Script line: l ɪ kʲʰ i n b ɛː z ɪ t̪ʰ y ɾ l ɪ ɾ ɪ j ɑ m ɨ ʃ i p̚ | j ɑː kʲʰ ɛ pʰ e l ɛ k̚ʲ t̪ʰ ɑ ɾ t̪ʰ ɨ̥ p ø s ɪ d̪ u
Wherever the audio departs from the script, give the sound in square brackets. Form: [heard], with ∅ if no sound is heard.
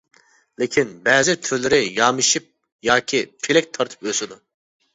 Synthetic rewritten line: l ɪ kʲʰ i n b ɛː z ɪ t̪ʰ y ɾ l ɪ ɾ ɪ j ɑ m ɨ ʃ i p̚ | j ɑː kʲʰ [i] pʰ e l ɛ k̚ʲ t̪ʰ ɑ ɾ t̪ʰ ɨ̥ p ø s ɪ d̪ u